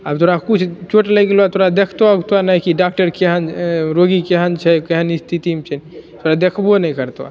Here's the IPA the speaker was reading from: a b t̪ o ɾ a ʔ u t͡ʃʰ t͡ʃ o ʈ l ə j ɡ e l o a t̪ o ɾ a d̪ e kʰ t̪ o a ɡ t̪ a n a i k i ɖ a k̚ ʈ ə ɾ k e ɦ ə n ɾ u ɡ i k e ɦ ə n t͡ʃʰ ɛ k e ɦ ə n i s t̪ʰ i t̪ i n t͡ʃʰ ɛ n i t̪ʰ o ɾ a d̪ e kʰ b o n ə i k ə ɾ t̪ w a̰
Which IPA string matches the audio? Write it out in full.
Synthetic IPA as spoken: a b t̪ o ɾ a k u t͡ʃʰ t͡ʃ o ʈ l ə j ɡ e l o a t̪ o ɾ a d̪ e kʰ t̪ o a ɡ t̪ a n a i k i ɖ a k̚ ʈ ə ɾ k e ɦ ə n ɾ o ɡ i k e ɦ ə n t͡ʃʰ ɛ k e ɦ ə n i s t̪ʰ i t̪ i m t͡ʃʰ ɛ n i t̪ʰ o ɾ a d̪ e kʰ b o n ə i k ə ɾ t̪ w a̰

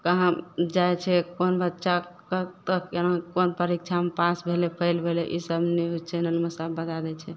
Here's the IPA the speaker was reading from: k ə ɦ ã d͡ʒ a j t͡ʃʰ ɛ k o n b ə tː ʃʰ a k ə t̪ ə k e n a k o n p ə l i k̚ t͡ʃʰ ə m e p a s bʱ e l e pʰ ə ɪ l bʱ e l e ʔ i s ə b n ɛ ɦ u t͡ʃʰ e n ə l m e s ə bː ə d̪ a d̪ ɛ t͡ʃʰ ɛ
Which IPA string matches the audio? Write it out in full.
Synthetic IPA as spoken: k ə ɦ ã d͡ʒ a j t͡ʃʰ ɛ k o n b ə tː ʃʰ a k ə t̪ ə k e n a k o n p ə ɾ i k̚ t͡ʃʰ a m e p a s bʱ e l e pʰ ə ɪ l bʱ e l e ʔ i s ə b n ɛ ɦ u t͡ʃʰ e n ə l m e s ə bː ə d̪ a d̪ ɛ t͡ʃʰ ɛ

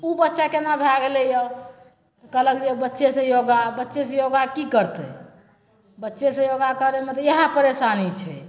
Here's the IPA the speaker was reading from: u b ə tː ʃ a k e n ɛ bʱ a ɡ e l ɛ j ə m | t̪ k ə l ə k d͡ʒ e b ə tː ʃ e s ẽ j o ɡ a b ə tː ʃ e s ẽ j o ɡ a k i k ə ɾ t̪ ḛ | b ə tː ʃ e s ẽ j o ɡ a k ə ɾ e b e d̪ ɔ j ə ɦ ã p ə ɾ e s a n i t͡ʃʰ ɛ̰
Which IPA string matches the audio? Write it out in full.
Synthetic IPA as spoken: u b ə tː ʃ a k e n a bʱ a ɡ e l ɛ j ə | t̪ k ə l ə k d͡ʒ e b ə tː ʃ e s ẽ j o ɡ a b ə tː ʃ e s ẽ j o ɡ a k i k ə ɾ t̪ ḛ | b ə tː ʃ e s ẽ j o ɡ a k ə ɾ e m e t̪ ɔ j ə ɦ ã p ə ɾ e s a n i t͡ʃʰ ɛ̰

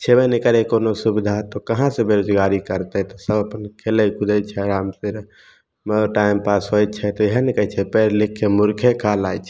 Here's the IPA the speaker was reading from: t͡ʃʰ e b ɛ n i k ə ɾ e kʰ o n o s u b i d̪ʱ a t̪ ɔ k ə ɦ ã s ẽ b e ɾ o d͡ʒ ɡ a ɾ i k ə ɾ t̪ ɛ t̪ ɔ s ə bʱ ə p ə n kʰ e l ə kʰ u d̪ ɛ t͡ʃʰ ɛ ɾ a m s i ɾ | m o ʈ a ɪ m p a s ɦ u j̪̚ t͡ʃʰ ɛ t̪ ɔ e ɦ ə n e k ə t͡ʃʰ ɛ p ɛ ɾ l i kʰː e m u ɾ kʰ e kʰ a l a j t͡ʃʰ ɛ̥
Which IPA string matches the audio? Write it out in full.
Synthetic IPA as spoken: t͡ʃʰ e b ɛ n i k ə ɾ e k o n o s u b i d̪ʱ a t̪ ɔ k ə ɦ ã s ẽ b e ɾ o d͡ʒ ɡ a ɾ i k ə ɾ t̪ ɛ t̪ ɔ s ə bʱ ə p ə n kʰ e l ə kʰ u d̪ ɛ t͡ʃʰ ɛ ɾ a m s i ɾ | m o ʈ a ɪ m p a s ɦ o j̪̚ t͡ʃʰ ɛ t̪ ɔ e ɦ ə n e k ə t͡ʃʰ ɛ p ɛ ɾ l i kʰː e m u ɾ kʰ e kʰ a l a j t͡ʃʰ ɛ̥

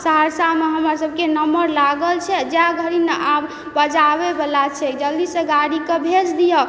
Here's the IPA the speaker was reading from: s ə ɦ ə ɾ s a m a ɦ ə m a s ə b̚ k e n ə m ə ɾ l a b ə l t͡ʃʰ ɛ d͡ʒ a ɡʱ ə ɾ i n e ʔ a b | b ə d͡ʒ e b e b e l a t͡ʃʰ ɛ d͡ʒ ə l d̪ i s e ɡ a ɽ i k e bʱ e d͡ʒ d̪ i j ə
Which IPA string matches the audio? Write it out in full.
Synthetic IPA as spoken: s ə ɦ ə ɾ s a m e ɦ ə m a s ə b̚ k e n ə m ə ɾ l a ɡ ə l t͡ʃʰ ɛ d͡ʒ a ɡʱ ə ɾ i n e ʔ a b | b ə d͡ʒ a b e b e l a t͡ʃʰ ɛ d͡ʒ ə l d̪ i s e ɡ a ɽ i k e bʱ e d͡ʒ d̪ i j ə

